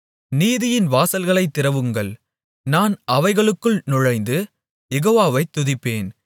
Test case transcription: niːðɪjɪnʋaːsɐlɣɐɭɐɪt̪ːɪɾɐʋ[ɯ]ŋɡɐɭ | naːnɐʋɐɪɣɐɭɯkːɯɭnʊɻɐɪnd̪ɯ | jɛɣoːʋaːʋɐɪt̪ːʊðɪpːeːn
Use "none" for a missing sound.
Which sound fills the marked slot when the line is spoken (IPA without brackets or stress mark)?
ɯ